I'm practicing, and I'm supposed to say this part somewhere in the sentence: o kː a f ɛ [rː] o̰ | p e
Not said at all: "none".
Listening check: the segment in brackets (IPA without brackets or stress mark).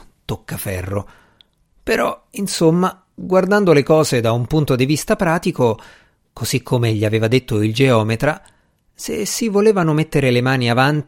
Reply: rː